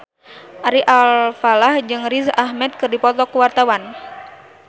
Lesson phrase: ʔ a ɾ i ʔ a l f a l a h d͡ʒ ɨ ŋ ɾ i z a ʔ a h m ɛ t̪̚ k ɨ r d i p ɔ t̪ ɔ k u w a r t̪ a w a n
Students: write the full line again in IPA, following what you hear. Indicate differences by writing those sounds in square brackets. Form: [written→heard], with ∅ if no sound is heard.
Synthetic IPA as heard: ʔ a ɾ i ʔ a l f a l a h d͡ʒ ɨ ŋ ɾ i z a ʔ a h m ɛ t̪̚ k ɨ r d i p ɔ t̪ ɔ k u w a r t̪ a w a n